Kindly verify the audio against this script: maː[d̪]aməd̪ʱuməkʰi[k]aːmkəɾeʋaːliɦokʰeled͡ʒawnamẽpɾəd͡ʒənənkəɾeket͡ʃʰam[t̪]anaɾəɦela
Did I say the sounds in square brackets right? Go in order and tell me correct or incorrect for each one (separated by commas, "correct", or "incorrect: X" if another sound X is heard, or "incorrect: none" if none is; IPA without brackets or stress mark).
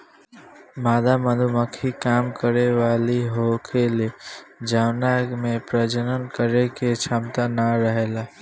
correct, correct, correct